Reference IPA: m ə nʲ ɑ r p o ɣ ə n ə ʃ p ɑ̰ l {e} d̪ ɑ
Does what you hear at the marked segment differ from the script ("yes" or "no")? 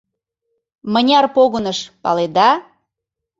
no